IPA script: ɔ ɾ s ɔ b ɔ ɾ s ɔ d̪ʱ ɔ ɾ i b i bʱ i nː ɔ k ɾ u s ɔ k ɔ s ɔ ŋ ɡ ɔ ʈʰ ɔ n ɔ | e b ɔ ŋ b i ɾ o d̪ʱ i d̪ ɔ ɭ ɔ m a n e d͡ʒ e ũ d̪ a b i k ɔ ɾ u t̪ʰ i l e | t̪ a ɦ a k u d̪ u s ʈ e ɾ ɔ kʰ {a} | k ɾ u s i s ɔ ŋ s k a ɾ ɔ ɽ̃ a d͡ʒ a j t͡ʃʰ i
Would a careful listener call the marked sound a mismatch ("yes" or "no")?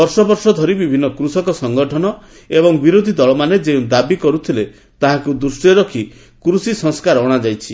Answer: yes